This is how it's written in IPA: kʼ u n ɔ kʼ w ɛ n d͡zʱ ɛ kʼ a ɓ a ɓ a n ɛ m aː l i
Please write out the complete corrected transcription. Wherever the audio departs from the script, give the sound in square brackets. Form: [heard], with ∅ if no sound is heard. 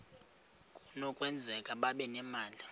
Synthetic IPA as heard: kʼ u n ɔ kʼ w ɛ n d͡zʱ ɛ kʼ a ɓ a ɓ [ɛ] n ɛ m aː l i

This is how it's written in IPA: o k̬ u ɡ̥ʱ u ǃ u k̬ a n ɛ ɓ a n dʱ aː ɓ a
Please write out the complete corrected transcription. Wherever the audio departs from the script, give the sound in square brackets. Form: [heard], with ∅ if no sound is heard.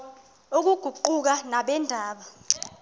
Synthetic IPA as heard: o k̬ u ɡ̥ʱ u ǃ u k̬ a n [a] ɓ [ɛ] n dʱ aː ɓ a

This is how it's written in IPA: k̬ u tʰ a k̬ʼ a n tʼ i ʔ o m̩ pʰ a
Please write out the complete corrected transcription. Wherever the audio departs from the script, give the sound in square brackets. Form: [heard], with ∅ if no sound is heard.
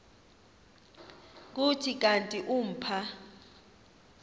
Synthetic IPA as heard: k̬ u tʰ [i] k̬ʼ a n tʼ i ʔ [u] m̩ pʰ a

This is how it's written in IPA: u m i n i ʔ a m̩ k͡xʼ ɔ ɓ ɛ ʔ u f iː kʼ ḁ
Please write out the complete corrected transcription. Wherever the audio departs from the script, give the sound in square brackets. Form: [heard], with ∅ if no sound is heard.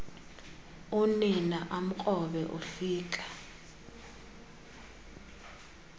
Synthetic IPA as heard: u [n] i n [a] ʔ a m̩ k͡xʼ ɔ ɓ ɛ ʔ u f iː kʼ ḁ

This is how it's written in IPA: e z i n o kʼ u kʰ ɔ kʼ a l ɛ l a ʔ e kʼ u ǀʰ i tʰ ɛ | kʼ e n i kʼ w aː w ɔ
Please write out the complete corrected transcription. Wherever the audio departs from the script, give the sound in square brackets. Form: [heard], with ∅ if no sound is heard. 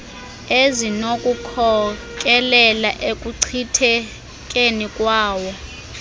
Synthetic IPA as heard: e z i n o kʼ u kʰ ɔ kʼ [ɛ] l ɛ l a ʔ e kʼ u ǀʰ i tʰ ɛ | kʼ e n i kʼ w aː w ɔ

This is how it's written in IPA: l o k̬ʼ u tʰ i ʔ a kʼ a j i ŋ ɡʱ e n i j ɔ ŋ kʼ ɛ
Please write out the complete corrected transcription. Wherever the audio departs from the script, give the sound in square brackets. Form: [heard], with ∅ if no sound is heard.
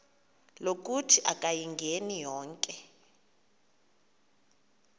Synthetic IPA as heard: l o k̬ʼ u tʰ i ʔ a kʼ a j i ŋ ɡʱ e n i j [ɔː] ŋ kʼ ɛ

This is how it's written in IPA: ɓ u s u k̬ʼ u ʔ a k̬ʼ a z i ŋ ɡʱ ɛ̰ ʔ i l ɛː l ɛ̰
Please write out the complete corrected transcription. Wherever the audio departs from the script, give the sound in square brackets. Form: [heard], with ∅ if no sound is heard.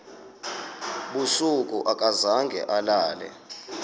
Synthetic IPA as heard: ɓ u s u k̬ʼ u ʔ a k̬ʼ a z [a] ŋ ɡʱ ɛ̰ ʔ [a] l [aː] l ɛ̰

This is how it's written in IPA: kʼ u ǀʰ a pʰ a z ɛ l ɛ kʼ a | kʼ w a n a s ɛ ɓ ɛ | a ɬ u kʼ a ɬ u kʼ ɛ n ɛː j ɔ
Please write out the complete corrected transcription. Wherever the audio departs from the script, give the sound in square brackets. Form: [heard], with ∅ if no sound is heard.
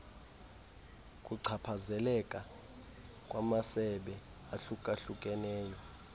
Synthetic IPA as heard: kʼ u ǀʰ a pʰ a z ɛ l ɛ kʼ a | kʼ w a [m] a s ɛ ɓ ɛ | a ɬ u kʼ a ɬ u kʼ ɛ n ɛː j ɔ

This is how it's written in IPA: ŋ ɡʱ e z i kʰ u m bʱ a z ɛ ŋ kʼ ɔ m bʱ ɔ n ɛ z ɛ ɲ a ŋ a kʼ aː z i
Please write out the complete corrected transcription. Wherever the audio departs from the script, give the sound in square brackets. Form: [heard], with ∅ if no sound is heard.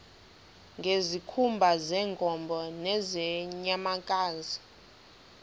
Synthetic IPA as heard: ŋ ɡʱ e z i kʰ u m bʱ a z ɛ ŋ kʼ ɔ m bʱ ɔ n ɛ z ɛ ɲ a [m] a kʼ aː z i

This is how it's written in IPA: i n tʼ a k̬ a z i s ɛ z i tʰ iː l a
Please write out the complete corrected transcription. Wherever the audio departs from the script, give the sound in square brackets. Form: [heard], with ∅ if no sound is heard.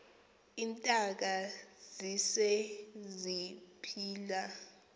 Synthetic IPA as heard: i n tʼ a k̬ a z i s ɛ z i [pʰ] iː l a

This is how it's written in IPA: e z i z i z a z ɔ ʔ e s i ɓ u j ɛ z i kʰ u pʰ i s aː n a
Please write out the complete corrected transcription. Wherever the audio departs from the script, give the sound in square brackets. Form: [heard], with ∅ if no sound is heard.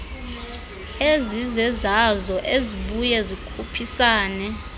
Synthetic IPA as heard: e z i z [ɛ] z a z ɔ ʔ e [z] i ɓ u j ɛ z i kʰ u pʰ i s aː n [ɛ]

